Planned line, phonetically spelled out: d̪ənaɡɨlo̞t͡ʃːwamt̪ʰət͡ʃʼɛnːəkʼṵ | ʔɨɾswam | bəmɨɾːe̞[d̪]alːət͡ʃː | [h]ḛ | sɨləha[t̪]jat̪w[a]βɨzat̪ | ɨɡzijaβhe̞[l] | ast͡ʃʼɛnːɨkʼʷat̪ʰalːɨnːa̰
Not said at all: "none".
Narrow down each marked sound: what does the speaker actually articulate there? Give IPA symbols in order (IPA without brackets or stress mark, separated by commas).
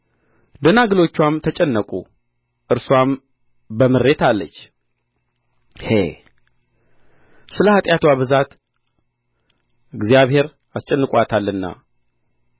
t̪, h, t̪ʼ, a, ɾ